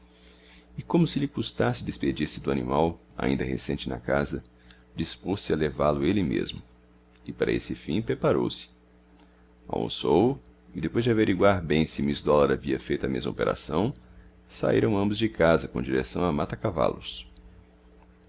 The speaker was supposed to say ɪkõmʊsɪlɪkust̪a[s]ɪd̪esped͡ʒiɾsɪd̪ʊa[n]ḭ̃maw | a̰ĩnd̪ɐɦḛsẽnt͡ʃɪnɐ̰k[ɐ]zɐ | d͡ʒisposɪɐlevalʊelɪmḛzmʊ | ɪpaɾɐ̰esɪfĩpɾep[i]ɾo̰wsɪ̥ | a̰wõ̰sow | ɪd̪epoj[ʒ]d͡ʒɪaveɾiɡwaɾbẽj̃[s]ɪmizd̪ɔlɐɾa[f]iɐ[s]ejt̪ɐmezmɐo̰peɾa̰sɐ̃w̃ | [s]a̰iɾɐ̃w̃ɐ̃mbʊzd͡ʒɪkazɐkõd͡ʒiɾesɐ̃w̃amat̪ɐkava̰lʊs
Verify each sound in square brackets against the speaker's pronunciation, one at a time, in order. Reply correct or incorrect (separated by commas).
correct, correct, incorrect, incorrect, incorrect, correct, incorrect, incorrect, correct